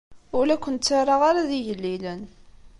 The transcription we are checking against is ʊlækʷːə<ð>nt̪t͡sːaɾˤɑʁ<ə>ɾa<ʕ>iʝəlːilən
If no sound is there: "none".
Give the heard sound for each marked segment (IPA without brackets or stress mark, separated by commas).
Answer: none, a, ð